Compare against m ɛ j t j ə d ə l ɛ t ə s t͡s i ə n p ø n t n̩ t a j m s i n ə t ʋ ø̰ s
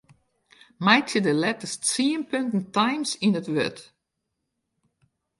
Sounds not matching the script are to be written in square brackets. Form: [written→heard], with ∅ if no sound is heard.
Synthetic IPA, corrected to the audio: m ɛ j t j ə d ə l ɛ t ə s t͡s i ə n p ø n t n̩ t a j m s i n ə t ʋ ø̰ [s→t]